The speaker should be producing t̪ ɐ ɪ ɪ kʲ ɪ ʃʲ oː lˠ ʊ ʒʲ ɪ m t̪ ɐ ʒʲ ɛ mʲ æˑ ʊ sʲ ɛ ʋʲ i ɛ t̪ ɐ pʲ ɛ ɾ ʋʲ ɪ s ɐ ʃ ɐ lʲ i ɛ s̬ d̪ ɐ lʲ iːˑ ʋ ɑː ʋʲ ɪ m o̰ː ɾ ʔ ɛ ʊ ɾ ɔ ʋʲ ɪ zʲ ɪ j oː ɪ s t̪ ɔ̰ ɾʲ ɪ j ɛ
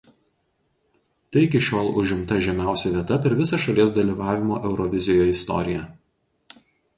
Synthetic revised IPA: t̪ ɐ ɪ ɪ kʲ ɪ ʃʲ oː lˠ ʊ ʒʲ ɪ m t̪ ɐ ʒʲ ɛ mʲ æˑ ʊ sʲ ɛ ʋʲ i ɛ t̪ ɐ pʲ ɛ ɾ ʋʲ ɪ s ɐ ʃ ɐ lʲ i ɛ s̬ d̪ ɐ lʲ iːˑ ʋ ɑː ʋʲ ɪ m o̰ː ʔ ɛ ʊ ɾ ɔ ʋʲ ɪ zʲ ɪ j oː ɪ s t̪ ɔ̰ ɾʲ ɪ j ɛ